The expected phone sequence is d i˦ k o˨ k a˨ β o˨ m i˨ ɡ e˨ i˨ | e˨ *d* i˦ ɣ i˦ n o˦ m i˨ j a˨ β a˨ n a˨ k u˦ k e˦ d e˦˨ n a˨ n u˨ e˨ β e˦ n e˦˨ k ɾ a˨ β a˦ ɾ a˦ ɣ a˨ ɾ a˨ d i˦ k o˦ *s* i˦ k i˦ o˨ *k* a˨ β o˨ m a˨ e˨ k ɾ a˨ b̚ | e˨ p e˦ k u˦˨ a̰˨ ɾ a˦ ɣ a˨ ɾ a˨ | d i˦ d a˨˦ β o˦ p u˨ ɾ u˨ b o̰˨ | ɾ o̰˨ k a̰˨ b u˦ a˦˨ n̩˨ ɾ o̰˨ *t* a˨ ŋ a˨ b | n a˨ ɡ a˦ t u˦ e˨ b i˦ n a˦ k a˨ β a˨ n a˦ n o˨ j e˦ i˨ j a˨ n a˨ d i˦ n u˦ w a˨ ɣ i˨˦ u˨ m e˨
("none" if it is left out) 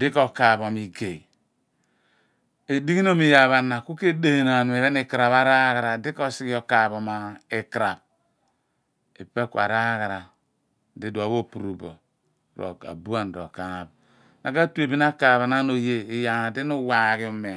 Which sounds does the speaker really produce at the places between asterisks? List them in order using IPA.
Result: d, s, k, k

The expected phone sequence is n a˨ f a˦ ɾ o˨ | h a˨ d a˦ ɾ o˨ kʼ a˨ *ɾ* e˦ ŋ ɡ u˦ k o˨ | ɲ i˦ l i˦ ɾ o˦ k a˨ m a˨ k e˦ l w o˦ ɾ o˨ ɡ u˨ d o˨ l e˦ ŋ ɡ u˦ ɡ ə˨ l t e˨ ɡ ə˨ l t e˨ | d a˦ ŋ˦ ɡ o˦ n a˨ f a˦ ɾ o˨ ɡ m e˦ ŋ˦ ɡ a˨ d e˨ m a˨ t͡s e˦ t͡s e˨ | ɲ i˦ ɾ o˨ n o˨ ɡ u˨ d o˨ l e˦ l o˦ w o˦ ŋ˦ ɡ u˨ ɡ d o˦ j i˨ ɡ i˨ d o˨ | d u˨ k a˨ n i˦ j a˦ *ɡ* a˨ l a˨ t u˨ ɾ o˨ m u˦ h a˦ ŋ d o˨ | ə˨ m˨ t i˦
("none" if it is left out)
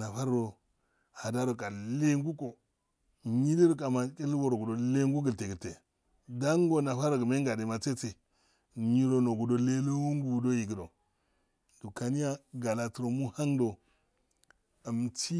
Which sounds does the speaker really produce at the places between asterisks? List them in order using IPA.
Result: l, ɡ

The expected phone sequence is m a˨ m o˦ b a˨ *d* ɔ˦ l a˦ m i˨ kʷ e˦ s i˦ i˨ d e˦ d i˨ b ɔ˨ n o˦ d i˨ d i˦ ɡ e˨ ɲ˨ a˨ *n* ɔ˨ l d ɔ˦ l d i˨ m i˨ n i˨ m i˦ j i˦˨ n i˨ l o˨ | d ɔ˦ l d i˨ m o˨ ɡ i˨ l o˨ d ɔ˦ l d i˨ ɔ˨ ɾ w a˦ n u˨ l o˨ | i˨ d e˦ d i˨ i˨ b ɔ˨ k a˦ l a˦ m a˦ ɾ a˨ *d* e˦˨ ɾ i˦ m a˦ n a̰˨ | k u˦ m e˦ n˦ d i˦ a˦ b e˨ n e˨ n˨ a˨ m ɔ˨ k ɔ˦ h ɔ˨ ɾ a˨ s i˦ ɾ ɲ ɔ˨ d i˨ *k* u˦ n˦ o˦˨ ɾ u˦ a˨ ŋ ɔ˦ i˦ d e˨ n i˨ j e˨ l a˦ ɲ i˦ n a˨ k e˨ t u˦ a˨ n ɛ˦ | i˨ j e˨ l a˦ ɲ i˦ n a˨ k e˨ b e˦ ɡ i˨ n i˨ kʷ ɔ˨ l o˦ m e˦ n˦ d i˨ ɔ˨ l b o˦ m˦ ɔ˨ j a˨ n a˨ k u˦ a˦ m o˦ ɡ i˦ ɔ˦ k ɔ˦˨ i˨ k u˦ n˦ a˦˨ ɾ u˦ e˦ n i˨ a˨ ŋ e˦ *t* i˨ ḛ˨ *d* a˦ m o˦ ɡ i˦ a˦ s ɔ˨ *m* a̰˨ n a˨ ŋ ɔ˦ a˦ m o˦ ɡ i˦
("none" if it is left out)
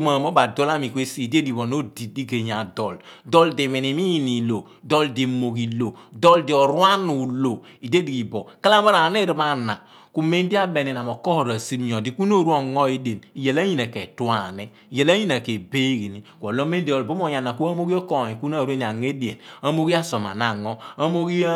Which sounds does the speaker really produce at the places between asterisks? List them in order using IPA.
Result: d, d, n, k, d, n, m

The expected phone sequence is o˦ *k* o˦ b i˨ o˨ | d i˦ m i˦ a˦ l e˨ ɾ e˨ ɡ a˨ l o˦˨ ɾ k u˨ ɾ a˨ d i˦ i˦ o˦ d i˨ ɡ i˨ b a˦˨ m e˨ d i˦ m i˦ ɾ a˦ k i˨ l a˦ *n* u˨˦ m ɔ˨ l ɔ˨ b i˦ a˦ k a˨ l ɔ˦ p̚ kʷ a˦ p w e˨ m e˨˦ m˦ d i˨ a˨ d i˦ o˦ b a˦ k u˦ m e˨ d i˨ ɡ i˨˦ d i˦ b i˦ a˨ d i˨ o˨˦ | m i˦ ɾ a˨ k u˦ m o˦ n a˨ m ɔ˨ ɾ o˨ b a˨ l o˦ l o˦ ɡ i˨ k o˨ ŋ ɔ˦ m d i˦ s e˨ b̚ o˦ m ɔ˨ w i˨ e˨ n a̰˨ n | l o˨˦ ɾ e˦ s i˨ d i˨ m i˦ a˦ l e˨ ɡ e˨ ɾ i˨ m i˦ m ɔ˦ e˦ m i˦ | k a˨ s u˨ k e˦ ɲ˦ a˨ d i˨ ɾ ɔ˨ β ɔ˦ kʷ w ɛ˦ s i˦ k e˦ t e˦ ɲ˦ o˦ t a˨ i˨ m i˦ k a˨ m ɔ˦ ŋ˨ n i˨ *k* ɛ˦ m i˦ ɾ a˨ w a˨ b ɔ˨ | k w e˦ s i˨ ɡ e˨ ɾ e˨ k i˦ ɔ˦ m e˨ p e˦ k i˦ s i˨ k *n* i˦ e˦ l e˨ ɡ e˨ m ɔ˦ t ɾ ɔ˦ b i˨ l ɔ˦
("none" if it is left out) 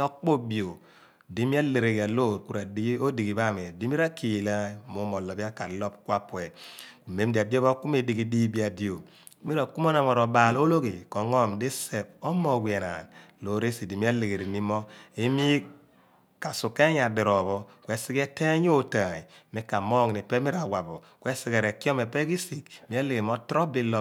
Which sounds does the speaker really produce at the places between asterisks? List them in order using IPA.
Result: k͡p, m, p, m

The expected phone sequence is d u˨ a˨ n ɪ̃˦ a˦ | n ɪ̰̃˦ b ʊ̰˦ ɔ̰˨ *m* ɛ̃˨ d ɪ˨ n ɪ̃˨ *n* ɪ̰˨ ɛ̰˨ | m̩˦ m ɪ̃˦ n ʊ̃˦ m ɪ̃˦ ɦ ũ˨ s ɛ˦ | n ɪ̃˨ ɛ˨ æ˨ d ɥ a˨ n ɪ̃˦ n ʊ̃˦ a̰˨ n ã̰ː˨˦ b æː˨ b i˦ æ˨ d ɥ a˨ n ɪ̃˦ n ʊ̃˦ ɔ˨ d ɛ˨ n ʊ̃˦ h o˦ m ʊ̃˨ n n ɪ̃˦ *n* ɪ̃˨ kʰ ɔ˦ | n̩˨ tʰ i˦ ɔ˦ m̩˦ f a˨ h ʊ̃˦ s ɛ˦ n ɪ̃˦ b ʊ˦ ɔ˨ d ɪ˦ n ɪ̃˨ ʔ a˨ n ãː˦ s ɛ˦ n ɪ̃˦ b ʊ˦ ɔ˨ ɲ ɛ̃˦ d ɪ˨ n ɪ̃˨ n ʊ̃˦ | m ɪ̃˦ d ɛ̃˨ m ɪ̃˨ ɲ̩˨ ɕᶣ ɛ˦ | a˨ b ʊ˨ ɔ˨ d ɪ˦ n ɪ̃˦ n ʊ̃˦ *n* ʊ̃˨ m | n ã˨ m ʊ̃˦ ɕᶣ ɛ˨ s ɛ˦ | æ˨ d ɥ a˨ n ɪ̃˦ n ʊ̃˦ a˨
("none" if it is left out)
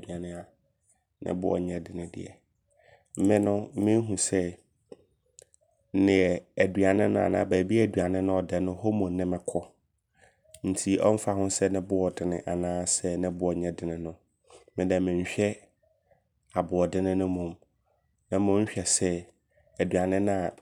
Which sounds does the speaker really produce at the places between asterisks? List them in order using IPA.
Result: ɲ, d, m, m

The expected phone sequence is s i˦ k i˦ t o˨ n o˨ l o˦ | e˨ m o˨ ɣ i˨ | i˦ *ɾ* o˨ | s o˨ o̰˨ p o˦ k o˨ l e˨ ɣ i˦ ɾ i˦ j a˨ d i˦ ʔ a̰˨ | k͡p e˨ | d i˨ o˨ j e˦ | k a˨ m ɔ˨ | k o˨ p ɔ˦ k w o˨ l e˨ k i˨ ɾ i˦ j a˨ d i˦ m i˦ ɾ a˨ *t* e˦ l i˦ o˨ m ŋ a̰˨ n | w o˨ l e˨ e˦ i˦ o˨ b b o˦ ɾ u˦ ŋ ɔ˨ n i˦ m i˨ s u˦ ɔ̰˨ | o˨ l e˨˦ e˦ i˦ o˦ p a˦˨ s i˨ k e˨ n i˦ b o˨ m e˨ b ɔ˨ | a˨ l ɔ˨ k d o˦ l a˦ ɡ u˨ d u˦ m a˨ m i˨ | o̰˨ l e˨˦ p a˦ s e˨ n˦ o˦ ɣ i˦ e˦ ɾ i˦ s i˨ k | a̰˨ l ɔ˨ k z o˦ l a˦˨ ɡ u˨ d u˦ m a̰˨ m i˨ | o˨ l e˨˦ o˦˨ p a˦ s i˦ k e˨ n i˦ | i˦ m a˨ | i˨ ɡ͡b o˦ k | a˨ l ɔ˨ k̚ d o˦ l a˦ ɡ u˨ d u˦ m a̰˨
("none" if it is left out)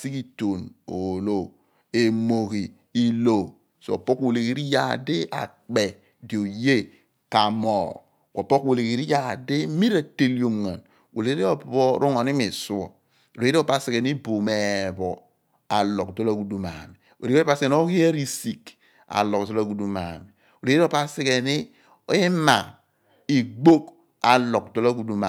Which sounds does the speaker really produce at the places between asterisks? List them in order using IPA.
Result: l, t

